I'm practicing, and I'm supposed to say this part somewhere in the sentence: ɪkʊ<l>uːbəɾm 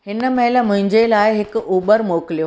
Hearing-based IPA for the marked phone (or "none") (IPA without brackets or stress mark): none